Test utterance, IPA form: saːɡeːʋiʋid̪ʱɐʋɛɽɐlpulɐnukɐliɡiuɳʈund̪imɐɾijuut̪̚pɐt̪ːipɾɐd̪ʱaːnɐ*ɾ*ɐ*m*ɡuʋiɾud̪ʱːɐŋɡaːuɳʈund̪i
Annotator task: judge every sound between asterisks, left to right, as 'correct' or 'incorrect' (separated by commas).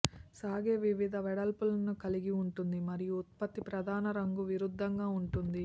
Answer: correct, incorrect